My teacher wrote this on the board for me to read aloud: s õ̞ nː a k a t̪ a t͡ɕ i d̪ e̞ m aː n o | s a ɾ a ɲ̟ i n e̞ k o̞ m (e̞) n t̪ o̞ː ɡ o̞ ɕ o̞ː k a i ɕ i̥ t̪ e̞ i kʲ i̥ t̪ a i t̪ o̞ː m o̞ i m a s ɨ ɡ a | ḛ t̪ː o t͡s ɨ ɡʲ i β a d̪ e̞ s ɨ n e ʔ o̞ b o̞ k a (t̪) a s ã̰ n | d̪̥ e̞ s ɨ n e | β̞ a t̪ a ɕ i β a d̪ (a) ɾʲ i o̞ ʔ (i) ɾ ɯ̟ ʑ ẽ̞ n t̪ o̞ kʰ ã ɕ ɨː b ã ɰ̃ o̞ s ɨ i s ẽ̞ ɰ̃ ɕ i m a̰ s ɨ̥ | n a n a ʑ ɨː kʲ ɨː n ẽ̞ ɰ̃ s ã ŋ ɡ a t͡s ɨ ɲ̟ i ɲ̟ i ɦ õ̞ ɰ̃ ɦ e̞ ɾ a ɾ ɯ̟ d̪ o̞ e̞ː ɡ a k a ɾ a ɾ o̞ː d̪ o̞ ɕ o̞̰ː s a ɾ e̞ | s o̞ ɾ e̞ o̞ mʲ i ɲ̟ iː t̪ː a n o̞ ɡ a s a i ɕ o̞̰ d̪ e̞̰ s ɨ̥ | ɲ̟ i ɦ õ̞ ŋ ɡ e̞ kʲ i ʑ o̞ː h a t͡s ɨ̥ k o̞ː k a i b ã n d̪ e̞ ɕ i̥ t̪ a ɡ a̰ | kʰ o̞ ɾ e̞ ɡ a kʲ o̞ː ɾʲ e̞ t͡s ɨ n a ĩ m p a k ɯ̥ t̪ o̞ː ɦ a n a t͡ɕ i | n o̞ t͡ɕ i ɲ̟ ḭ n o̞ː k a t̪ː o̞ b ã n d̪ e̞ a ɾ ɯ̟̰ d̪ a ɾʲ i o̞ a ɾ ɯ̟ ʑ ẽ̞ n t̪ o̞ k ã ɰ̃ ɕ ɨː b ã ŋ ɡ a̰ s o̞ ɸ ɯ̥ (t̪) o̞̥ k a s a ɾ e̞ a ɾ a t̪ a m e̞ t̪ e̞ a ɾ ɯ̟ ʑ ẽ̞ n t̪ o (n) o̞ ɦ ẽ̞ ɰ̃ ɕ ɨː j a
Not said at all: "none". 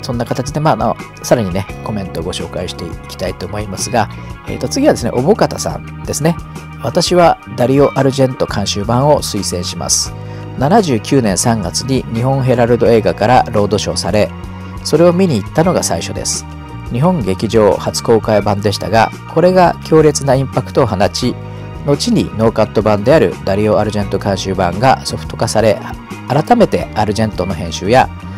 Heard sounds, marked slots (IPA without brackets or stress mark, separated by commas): ẽ̞, t̪, a, a, t̪, n